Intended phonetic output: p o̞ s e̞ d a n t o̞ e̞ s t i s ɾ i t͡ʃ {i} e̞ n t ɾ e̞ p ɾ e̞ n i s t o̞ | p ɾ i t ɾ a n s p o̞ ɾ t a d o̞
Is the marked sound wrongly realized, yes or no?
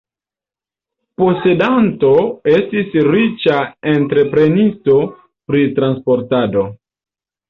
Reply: yes